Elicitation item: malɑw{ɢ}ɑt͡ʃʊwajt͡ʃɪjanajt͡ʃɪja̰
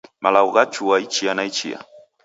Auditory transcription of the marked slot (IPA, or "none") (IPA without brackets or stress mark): ɢ